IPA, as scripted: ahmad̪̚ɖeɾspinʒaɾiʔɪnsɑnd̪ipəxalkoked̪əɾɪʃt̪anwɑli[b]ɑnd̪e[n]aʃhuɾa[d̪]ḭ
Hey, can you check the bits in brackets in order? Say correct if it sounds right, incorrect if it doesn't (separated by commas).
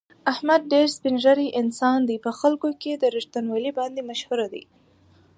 correct, incorrect, correct